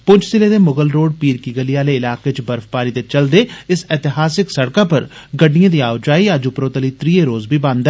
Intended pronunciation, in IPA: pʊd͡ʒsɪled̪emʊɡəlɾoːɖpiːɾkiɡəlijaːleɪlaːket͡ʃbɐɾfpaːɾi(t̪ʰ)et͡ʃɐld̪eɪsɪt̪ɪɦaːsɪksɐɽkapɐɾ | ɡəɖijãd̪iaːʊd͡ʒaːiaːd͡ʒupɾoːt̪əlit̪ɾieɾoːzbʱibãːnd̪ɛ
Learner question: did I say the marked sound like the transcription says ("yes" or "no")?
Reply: no